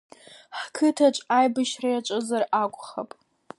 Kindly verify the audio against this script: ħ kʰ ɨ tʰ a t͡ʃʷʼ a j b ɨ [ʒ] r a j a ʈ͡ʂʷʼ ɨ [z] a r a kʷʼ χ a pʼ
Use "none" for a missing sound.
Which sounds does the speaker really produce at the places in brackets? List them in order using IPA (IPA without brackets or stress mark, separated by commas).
ʃ, z